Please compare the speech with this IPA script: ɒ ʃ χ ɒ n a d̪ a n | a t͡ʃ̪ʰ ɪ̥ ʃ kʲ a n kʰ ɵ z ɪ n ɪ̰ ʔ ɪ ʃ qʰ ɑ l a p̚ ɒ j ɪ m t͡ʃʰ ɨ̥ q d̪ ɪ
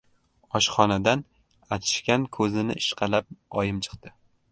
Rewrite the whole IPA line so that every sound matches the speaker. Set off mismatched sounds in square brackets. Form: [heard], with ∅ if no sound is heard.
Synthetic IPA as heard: ɒ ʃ χ ɒ n a d̪ a n | a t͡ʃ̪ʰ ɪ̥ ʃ kʲ a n kʰ ɵ z ɪ n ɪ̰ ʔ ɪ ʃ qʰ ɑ l a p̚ ɒ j ɪ m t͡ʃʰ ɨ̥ q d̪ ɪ